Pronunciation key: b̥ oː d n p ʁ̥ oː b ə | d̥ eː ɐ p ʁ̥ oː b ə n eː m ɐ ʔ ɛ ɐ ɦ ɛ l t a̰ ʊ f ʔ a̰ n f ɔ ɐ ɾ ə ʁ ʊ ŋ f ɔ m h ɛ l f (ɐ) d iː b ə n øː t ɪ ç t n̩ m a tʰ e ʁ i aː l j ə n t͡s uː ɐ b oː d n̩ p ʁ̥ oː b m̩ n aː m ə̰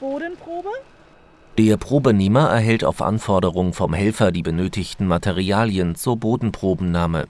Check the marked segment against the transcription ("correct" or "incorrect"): correct